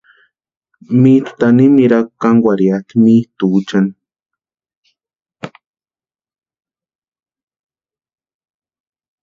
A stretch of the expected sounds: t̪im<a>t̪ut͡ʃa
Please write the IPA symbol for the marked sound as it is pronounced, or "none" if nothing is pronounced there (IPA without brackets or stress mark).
i